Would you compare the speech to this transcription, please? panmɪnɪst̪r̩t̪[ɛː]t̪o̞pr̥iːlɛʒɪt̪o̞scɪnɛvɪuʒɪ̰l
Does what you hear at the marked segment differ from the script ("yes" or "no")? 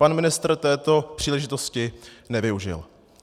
no